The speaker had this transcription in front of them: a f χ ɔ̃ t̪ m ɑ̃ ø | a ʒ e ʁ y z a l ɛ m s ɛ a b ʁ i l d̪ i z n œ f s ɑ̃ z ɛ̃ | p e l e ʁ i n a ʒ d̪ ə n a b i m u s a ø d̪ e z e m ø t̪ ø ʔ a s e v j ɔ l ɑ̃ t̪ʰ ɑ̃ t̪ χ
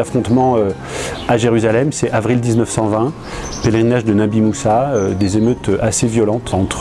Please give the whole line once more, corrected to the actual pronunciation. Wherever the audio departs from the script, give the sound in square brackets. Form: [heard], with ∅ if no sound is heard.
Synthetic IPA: a f χ ɔ̃ t̪ m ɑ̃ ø | a ʒ e ʁ y z a l ɛ m s ɛ a [v] ʁ i l d̪ i z n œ f s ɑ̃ [v] ɛ̃ | p e l e ʁ i n a ʒ d̪ ə n a b i m u s a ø d̪ e z e m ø t̪ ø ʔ a s e v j ɔ l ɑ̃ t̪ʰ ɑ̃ t̪ χ